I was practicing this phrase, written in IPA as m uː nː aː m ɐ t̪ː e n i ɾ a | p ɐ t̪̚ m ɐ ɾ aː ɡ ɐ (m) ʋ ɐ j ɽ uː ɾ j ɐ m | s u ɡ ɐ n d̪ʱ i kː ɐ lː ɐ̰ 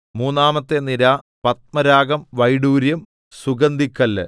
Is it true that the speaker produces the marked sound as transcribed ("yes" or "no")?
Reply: yes